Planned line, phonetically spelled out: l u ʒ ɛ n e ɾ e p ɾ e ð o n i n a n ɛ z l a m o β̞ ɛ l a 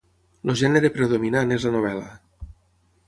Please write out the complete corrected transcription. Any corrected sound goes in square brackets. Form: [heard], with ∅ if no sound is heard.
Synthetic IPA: l [o] ʒ ɛ n e ɾ e p ɾ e ð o [m] i n a n [e] z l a [n] o β̞ ɛ l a